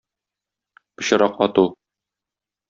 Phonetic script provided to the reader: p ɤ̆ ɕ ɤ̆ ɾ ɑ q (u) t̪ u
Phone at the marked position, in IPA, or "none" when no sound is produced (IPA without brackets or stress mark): ɒ